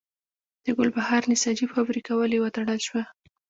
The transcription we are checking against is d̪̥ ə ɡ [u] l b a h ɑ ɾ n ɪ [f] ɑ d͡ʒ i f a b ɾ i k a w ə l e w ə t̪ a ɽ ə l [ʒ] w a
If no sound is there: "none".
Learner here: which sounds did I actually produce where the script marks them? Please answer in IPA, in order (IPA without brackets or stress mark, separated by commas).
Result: ʊ, s, ʃ